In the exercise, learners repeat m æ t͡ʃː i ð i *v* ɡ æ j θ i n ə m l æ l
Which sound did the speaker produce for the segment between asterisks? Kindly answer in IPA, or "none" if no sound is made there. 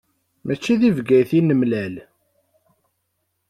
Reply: v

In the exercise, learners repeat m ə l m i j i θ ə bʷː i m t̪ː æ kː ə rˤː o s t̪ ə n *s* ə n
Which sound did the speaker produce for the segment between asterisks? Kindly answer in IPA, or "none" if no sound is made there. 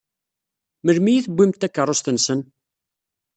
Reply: s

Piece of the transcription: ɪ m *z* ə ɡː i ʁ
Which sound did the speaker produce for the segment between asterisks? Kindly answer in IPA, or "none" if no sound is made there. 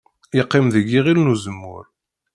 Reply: ð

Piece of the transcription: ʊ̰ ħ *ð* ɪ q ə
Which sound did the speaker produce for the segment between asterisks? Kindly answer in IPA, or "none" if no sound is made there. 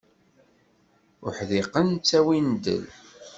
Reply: ð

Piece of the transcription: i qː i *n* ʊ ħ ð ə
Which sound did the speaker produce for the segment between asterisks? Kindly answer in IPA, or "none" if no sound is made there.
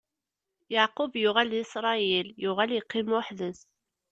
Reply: m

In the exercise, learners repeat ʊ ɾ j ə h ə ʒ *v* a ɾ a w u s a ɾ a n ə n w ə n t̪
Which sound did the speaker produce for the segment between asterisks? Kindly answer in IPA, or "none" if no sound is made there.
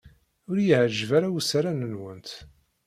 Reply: v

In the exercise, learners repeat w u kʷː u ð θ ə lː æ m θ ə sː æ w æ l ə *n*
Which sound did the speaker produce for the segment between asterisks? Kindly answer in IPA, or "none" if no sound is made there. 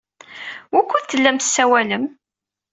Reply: m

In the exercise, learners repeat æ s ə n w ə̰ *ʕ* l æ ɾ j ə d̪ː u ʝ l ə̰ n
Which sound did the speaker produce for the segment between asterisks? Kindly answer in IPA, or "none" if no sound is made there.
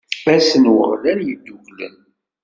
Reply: ʁ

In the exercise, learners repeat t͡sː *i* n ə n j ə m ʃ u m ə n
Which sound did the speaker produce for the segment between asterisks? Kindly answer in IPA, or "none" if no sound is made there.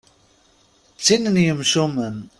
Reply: i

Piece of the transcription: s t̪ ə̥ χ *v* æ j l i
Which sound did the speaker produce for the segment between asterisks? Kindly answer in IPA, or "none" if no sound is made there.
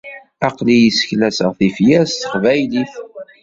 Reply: v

